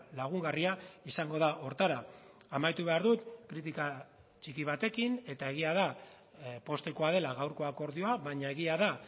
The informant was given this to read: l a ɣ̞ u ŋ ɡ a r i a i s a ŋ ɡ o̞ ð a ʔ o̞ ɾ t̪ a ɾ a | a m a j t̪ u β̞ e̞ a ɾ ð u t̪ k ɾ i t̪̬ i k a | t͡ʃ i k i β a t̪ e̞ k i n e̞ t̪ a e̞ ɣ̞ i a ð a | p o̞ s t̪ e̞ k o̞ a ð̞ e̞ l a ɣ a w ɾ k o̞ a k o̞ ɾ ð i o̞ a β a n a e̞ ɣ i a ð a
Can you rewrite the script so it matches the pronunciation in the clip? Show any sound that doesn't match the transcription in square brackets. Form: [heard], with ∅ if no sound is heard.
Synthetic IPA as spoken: l a ɣ̞ u ŋ ɡ a r i a i s a ŋ ɡ o̞ ð a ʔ o̞ ɾ t̪ a ɾ a | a m a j t̪ u β̞ e̞ a ɾ ð u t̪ k ɾ i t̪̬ i k a | t͡ʃ i k i β a t̪ e̞ k i n e̞ t̪ a e̞ ɣ̞ i a ð a | p o̞ s t̪ e̞ k o̞ a ð̞ e̞ l a ɣ a w ɾ k o̞ a k o̞ ɾ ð i o̞ a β a [ɲ] a e̞ ɣ i a ð a

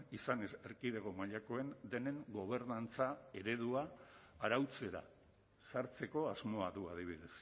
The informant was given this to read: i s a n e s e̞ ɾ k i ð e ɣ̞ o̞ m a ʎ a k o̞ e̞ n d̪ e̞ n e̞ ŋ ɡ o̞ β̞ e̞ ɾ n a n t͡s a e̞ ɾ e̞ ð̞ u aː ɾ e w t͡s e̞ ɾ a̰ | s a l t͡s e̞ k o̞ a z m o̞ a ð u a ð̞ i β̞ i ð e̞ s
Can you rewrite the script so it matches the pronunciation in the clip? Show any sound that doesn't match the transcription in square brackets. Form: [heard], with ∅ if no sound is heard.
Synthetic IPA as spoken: i s a n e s e̞ ɾ k i ð e ɣ̞ o̞ m a ʎ a k o̞ e̞ n d̪ e̞ n e̞ ŋ ɡ o̞ β̞ e̞ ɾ n a n t͡s a e̞ ɾ e̞ ð̞ u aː ɾ [a] w t͡s e̞ ɾ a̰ | s a [ɾ] t͡s e̞ k o̞ a z m o̞ a ð u a ð̞ i β̞ i ð e̞ s

